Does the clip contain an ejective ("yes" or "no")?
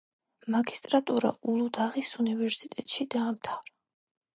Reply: yes